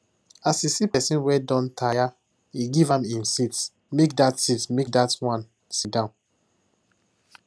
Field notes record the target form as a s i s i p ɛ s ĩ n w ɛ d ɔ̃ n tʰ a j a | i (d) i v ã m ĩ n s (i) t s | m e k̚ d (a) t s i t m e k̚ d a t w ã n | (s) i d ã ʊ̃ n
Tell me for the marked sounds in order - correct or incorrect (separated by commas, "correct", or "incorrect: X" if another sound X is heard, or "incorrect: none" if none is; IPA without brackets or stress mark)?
incorrect: ɡ, correct, correct, correct